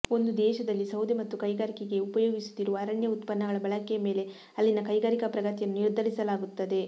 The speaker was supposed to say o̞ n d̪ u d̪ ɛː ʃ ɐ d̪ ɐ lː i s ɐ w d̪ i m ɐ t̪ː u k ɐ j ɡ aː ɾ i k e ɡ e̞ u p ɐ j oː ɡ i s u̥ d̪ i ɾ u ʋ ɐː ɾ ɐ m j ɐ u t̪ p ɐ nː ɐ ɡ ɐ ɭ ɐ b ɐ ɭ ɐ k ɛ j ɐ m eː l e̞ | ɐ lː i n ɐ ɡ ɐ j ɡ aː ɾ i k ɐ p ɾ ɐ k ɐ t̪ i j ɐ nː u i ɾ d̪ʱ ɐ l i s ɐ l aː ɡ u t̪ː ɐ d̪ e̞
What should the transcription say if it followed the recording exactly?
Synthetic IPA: o̞ n d̪ u d̪ ɛː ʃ ɐ d̪ ɐ lː i s ɐ w d̪ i m ɐ t̪ː u k ɐ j ɡ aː ɾ i k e ɡ e̞ u p ɐ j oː ɡ i s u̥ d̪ i ɾ u ʋ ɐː ɾ ɐ ɳ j ɐ u t̪ p ɐ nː ɐ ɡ ɐ ɭ ɐ b ɐ ɭ ɐ k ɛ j ɐ m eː l e̞ | ɐ lː i n ɐ k ɐ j ɡ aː ɾ i k ɐ p ɾ ɐ ɡ ɐ t̪ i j ɐ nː u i ɾ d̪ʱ ɐ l i s ɐ l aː ɡ u t̪ː ɐ d̪ e̞

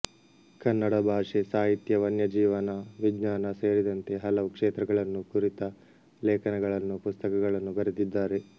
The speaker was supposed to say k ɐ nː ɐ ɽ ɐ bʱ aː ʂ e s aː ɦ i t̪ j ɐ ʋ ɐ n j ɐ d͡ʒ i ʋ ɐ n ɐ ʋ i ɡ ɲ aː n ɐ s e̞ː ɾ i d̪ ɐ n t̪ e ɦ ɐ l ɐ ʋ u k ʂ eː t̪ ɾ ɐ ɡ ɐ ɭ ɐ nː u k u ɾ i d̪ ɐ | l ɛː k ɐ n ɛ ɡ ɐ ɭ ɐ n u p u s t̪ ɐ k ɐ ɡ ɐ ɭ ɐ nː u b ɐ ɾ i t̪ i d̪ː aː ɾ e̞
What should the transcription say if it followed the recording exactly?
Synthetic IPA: k ɐ nː ɐ ɽ ɐ bʱ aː ʂ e s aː ɦ i t̪ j ɐ ʋ ɐ n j ɐ d͡ʒ iː ʋ ɐ n ɐ ʋ i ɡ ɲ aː n ɐ s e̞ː ɾ i d̪ ɐ n t̪ e ɦ ɐ l ɐ ʋ u k ʂ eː t̪ ɾ ɐ ɡ ɐ ɭ ɐ nː u k u ɾ i t̪ ɐ | l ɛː k ɐ n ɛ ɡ ɐ ɭ ɐ nː u p u s t̪ ɐ k ɐ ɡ ɐ ɭ ɐ nː u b ɐ ɾ i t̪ i d̪ː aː ɾ e̞

